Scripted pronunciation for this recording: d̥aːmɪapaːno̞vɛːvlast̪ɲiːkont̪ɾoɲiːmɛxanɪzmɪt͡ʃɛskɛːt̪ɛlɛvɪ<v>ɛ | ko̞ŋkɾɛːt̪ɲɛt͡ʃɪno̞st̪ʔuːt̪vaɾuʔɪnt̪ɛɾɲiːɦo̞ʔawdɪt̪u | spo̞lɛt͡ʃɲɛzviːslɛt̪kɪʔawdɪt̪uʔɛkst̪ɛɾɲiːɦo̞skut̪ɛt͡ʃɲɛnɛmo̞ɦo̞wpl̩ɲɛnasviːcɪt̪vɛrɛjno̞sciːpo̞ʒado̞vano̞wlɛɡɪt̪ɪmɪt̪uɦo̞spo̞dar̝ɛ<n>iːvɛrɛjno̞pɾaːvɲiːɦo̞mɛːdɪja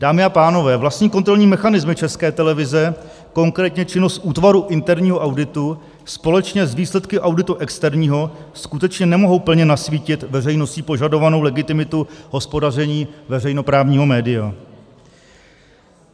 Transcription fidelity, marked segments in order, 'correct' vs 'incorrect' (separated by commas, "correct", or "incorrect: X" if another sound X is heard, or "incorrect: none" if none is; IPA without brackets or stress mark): incorrect: z, incorrect: ɲ